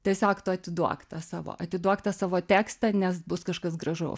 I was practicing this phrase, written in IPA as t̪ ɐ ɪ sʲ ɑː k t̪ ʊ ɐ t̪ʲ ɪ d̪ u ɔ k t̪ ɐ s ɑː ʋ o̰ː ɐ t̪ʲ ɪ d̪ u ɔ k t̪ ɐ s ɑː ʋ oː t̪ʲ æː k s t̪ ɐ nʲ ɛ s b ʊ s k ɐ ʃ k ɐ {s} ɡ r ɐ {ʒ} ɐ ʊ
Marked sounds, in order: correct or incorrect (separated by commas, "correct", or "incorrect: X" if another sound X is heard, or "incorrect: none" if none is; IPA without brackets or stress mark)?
correct, correct